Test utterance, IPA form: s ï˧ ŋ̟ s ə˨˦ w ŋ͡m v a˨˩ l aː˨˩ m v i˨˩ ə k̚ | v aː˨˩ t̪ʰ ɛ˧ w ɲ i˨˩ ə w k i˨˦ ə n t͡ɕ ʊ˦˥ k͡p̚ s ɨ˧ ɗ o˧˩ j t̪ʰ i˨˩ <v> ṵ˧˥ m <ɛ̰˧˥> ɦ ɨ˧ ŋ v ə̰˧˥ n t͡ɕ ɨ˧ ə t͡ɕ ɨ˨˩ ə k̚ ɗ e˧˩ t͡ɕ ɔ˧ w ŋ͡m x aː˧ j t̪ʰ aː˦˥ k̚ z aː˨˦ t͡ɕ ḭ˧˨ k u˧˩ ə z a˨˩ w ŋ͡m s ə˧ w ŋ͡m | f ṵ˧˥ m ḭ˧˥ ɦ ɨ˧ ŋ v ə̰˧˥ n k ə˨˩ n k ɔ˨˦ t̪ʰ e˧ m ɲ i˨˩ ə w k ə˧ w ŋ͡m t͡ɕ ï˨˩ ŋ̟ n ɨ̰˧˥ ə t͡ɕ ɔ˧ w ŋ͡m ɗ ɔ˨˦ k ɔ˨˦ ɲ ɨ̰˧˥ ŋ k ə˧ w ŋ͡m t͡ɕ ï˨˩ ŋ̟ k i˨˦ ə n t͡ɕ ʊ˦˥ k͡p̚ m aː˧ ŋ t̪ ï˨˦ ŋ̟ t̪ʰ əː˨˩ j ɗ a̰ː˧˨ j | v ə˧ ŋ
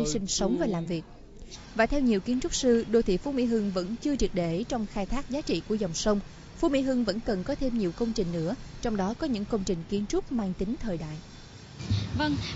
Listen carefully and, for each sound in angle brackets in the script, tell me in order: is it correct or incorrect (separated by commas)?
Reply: incorrect, incorrect